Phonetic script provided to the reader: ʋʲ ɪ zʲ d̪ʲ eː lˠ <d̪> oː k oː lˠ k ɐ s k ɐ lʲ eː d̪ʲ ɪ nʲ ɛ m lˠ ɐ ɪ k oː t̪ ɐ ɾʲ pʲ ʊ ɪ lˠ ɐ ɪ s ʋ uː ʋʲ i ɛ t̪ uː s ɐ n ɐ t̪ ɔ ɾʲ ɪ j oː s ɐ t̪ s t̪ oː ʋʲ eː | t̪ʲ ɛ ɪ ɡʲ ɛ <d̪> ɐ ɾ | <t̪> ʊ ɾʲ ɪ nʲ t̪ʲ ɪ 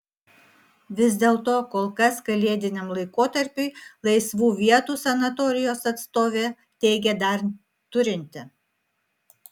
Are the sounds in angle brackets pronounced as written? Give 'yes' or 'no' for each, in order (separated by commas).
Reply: no, yes, yes